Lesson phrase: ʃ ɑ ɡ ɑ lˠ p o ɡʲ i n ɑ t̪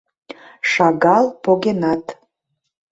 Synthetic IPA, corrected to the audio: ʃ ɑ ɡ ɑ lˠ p o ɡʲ e n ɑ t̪